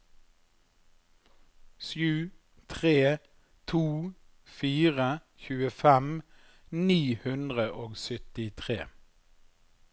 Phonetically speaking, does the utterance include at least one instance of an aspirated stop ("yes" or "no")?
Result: yes